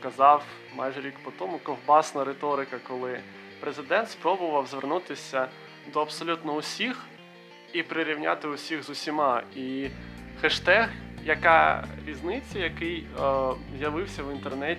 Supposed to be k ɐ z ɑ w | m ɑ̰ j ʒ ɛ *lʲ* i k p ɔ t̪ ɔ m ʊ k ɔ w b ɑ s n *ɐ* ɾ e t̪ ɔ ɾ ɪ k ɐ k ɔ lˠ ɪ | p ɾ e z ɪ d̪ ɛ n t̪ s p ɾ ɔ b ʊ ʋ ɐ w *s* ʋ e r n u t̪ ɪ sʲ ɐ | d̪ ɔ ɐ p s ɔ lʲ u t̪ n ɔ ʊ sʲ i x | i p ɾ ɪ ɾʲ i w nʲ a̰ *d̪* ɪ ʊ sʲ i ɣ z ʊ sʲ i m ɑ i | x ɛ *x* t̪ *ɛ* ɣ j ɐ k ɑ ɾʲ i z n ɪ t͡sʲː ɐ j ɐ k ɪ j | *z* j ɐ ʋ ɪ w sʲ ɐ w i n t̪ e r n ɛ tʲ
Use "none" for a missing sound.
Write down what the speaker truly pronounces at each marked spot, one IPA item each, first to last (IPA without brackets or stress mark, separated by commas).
ɾʲ, ɐ, z, t̪, ʃ, ɛ, z